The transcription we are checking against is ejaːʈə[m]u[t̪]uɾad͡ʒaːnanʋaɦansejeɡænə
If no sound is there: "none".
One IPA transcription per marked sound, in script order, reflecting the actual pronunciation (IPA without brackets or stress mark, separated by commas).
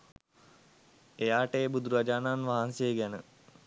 b, d̪